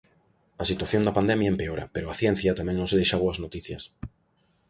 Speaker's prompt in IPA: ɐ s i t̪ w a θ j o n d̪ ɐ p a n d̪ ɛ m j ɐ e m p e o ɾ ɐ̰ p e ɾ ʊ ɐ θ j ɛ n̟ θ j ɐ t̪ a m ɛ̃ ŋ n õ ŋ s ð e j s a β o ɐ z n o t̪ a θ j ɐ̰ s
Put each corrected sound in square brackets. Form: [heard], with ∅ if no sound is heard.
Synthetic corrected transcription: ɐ s i t̪ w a θ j o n d̪ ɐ p a n d̪ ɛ m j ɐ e m p e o ɾ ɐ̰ p e ɾ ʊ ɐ θ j ɛ n̟ θ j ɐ t̪ a m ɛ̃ ŋ n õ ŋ s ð e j [ʃ] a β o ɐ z n o t̪ [i] θ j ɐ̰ s